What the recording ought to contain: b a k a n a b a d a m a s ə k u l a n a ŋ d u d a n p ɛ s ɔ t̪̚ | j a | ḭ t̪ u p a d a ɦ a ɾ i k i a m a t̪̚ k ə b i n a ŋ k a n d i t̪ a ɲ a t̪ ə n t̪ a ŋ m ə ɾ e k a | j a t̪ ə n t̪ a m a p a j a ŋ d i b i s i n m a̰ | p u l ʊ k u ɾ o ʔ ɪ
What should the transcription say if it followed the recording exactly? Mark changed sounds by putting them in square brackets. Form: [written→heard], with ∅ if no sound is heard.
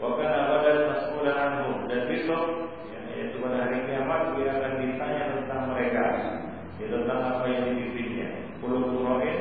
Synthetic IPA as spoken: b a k a n a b a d a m a s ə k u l a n a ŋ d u d a n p [ɛ→i] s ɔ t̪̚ | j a | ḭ t̪ u p a d a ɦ a ɾ i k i a m a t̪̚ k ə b i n a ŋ k a n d i t̪ a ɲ a t̪ ə n t̪ a ŋ m ə ɾ e k a | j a t̪ ə n t̪ a [m→ŋ] a p a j a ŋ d i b i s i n [m→ɲ] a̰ | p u l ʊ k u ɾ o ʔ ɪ